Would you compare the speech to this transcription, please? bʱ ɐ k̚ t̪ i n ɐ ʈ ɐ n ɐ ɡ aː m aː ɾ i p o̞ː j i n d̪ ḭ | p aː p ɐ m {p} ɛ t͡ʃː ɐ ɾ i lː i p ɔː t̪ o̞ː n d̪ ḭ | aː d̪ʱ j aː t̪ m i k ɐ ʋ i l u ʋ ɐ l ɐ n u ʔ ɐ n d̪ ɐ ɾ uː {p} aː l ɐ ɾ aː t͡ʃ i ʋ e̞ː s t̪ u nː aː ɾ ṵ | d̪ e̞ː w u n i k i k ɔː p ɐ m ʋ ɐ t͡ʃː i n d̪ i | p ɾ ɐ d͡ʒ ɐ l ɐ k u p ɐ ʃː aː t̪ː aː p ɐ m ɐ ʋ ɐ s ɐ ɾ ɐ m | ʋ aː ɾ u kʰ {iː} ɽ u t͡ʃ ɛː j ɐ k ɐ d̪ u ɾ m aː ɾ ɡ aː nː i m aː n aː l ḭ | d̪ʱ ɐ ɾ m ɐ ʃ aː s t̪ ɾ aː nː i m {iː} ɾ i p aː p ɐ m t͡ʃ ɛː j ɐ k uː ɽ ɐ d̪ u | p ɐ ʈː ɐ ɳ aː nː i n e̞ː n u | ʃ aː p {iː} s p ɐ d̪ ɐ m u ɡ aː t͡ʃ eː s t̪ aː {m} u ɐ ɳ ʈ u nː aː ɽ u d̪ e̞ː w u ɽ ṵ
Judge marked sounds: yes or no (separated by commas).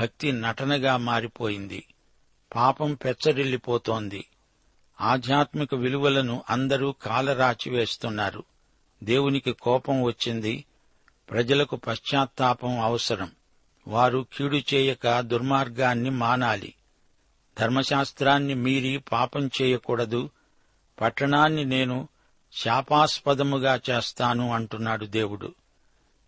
yes, no, yes, yes, no, no